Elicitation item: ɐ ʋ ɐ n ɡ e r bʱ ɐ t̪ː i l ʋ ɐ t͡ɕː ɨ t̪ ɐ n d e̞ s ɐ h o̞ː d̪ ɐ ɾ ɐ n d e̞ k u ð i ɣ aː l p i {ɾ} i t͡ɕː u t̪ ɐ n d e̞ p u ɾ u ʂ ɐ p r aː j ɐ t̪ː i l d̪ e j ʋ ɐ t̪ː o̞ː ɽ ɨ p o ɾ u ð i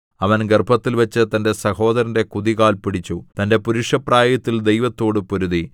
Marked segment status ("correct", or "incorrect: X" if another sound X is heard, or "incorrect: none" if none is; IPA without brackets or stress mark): incorrect: ɽ